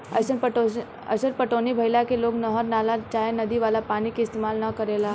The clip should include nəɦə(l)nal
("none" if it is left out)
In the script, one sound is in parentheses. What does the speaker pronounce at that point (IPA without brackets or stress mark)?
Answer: ɾ